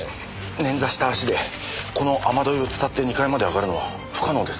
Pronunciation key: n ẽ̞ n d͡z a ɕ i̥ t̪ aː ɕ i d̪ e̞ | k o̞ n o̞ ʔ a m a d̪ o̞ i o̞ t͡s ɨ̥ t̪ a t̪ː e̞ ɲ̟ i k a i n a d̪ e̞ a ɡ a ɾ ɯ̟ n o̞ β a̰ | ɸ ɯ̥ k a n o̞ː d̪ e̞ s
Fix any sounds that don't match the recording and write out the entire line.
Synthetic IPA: n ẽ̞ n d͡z a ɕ i̥ t̪ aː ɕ i d̪ e̞ | k o̞ n o̞ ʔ a m a d̪ o̞ i o̞ t͡s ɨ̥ t̪ a t̪ː e̞ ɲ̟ i k a i m a d̪ e̞ a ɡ a ɾ ɯ̟ n o̞ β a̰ | ɸ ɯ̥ k a n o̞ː d̪ e̞ s